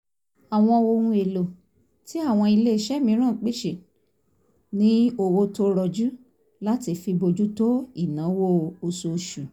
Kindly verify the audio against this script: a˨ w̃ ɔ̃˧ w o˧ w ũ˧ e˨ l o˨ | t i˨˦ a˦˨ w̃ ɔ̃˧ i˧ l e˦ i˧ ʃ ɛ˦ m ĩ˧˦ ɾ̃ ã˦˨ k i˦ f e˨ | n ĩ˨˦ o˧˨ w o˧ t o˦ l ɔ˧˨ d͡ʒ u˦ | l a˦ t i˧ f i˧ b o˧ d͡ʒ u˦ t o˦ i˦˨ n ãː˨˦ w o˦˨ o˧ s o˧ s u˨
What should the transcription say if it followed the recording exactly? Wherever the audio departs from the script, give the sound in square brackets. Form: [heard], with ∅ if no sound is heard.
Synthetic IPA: a˨ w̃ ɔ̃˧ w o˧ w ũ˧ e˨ l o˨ | t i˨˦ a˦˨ w̃ ɔ̃˧ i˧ l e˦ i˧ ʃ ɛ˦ m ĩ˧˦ ɾ̃ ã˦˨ [k͡p] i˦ [ʃ] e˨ | n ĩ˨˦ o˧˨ w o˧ t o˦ [ɾ] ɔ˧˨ d͡ʒ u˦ | l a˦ t i˧ f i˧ b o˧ d͡ʒ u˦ t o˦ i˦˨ n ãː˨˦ w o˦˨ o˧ s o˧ [ʃ] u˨